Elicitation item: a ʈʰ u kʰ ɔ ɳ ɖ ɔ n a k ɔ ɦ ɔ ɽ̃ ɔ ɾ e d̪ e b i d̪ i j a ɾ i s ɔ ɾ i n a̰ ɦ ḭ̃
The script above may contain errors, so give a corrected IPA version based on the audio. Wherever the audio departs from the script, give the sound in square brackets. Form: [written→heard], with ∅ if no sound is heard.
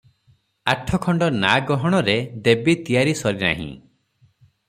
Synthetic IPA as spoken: a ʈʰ [u→ɔ] kʰ ɔ ɳ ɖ ɔ n a [k→ɡ] ɔ ɦ ɔ ɽ̃ ɔ ɾ e d̪ e b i [d̪→t̪] i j a ɾ i s ɔ ɾ i n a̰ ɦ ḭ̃